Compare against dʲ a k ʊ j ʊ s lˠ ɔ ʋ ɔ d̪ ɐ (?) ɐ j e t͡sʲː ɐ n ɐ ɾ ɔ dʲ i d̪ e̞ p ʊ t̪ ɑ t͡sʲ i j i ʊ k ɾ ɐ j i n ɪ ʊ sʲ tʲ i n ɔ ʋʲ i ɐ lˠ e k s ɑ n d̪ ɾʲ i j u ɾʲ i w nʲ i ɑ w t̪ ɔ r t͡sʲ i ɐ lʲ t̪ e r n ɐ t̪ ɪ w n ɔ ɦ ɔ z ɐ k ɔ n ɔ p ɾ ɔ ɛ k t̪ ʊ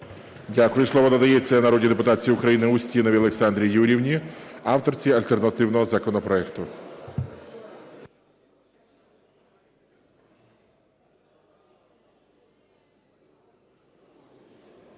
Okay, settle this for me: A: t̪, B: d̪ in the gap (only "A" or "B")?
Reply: B